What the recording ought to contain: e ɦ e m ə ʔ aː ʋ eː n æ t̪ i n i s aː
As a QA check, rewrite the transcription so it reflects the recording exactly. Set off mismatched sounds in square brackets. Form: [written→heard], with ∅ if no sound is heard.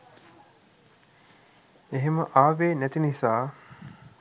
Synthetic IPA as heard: e ɦ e m ə ʔ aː ʋ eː n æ t̪ i n i s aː